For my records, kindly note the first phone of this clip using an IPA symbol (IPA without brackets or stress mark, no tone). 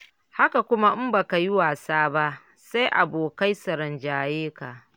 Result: h